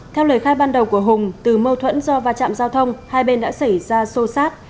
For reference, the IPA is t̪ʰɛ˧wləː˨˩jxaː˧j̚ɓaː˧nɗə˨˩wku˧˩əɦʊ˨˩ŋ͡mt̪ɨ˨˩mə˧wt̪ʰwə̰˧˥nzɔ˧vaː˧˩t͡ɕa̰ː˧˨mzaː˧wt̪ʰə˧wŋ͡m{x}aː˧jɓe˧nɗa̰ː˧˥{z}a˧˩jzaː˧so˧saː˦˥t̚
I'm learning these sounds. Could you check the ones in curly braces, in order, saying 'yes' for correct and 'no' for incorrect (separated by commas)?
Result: no, no